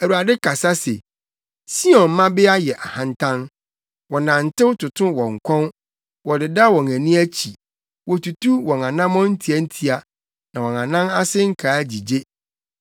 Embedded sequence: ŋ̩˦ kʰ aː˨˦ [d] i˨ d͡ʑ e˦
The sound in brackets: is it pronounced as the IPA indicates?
no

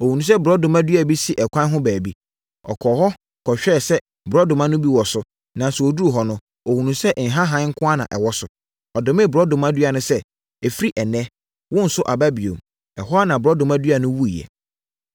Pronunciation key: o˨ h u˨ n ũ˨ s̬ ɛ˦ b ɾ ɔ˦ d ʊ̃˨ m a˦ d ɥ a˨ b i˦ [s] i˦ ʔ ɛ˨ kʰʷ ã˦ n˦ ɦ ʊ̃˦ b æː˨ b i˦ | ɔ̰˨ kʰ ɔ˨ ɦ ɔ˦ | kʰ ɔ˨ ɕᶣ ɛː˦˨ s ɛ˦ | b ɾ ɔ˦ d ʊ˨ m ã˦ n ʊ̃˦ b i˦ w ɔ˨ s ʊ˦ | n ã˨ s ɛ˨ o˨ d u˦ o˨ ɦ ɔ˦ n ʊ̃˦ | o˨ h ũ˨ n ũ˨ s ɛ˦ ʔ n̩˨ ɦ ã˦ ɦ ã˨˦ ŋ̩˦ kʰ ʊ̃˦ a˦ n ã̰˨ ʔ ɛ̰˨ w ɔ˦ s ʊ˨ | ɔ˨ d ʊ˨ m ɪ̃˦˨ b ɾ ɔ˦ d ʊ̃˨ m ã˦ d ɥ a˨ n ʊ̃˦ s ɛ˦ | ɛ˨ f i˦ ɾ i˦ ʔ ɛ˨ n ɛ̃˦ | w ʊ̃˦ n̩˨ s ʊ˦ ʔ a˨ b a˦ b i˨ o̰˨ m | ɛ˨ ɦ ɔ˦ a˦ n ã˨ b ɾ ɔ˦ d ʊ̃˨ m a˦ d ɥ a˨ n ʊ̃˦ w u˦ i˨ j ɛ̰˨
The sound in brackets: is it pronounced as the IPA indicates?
yes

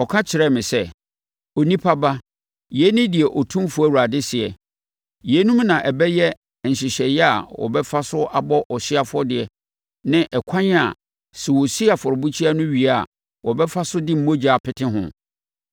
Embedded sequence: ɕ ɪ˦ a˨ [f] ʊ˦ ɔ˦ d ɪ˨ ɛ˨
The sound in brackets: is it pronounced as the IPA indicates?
yes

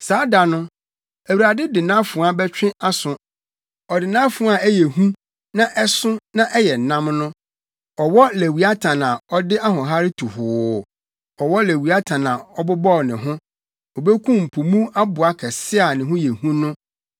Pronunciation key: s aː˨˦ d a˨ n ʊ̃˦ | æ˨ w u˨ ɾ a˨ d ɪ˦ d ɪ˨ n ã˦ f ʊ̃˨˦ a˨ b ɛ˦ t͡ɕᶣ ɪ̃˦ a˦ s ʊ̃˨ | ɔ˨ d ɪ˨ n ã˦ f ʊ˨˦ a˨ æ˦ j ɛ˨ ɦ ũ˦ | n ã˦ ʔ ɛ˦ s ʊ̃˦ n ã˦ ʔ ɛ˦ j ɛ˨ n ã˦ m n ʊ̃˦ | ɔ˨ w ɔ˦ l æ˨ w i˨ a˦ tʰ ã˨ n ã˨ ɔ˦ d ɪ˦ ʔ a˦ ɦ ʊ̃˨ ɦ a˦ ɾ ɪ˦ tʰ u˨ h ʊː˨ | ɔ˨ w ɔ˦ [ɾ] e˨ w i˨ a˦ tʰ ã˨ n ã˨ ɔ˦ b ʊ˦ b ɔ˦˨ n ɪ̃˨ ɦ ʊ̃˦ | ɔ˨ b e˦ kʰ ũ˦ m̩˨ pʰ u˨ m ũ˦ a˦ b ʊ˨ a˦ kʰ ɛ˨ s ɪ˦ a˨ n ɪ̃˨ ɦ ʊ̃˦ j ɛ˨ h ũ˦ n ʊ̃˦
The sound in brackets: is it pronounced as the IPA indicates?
no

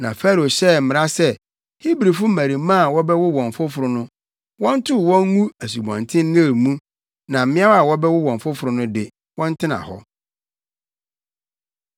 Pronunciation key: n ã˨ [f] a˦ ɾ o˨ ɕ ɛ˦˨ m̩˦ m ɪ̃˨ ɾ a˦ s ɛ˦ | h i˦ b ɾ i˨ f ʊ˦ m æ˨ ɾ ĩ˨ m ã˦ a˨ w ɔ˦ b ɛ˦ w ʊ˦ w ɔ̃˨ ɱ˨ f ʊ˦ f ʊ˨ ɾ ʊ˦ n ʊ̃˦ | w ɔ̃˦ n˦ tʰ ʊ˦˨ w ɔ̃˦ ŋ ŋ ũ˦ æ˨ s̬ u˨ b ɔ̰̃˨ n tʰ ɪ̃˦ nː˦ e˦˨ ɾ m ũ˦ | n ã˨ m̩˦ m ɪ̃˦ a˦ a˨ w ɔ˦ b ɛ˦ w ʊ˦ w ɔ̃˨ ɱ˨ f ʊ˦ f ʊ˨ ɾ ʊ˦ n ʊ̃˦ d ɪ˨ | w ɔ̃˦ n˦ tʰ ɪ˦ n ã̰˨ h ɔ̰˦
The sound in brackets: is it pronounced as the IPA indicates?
yes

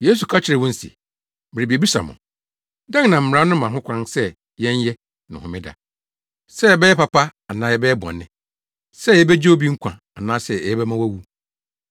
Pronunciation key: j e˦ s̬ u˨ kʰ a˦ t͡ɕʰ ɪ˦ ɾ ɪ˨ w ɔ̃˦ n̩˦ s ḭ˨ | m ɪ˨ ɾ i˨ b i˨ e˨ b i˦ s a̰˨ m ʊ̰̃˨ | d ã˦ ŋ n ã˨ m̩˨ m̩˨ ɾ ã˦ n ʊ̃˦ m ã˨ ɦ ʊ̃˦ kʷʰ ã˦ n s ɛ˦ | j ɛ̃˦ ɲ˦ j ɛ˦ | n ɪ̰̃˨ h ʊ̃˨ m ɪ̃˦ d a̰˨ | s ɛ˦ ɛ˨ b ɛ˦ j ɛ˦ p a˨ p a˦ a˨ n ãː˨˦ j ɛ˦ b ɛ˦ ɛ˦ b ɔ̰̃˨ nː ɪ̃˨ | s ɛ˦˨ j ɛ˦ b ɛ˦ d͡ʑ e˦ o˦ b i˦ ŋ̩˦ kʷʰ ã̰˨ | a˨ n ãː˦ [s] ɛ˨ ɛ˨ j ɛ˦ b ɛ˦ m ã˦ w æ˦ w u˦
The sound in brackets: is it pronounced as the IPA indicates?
yes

